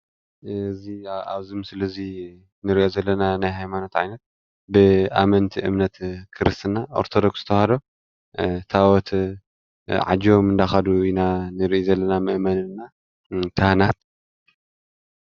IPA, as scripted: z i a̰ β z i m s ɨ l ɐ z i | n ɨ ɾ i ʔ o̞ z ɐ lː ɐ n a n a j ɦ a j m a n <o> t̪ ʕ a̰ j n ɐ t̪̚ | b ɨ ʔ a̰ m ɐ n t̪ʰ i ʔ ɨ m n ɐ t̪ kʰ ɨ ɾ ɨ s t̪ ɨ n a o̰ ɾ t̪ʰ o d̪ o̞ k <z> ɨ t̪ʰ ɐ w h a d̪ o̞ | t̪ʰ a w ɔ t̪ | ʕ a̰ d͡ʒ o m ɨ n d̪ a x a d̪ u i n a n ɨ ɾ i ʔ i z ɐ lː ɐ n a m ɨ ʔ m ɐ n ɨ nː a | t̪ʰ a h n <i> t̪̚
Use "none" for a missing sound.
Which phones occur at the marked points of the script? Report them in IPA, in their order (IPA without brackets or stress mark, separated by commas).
o, s, a